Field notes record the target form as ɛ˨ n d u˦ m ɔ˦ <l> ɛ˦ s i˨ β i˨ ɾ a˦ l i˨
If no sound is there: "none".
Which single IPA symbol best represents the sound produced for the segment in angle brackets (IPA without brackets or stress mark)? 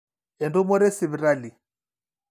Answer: ɾ